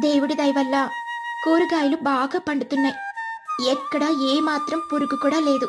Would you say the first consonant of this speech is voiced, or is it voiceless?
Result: voiced